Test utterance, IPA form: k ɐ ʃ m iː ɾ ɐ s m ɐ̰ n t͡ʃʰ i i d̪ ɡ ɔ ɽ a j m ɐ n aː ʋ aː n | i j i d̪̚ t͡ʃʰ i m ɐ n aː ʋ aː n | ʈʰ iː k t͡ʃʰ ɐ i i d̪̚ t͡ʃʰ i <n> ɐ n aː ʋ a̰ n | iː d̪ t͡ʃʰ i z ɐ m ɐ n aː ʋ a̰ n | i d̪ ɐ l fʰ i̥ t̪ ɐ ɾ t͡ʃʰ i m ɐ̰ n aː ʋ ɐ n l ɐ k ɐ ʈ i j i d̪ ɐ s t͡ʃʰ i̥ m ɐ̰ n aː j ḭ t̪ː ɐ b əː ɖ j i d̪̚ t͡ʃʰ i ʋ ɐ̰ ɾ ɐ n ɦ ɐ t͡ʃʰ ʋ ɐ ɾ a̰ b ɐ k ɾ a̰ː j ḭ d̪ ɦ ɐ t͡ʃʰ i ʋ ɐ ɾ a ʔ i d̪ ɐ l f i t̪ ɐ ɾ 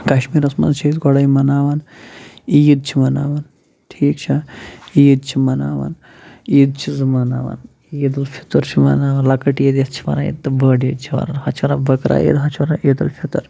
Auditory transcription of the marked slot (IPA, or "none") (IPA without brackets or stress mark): m